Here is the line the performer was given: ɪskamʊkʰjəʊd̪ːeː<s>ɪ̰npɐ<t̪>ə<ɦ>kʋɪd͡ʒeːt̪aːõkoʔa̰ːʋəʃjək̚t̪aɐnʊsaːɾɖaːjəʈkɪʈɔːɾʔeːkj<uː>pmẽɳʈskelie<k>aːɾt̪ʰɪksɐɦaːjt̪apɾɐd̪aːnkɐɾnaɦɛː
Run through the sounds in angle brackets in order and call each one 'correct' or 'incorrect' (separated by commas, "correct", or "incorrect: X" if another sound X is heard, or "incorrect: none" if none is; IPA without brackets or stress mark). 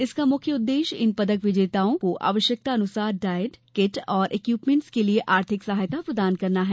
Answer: incorrect: ʃ, incorrect: d̪, incorrect: none, correct, incorrect: ʔ